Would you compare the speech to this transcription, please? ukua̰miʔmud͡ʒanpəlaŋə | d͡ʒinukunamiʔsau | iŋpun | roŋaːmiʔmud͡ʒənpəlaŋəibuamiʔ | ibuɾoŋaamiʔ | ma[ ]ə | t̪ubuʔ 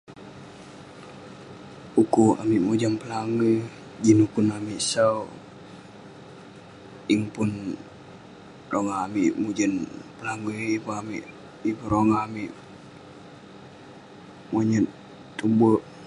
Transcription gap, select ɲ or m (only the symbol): ɲ